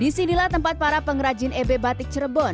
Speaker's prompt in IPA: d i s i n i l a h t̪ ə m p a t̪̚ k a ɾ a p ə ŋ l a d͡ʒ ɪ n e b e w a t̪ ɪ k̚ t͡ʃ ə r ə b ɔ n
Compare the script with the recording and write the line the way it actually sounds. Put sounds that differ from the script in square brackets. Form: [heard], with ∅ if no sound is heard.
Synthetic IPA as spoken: d i s i n i l a h t̪ ə m p a t̪̚ [p] a ɾ a p ə ŋ [ɾ] a d͡ʒ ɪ n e b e [b] a t̪ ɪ k̚ t͡ʃ ə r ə b ɔ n